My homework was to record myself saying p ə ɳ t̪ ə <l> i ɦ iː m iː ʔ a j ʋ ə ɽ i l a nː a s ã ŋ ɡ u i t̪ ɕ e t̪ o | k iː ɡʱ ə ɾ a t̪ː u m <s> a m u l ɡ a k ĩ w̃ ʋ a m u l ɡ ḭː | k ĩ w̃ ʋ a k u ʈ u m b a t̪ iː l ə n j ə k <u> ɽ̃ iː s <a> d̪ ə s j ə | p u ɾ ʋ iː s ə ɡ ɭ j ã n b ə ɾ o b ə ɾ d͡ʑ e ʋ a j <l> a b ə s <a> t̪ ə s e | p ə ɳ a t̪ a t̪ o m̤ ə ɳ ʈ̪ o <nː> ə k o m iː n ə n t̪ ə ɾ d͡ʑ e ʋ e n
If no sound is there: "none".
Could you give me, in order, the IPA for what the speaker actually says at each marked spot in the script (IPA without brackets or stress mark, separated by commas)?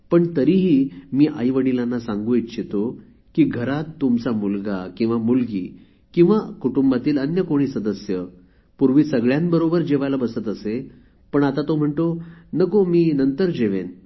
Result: ɾ, t͡s, o, ə, l, ə, n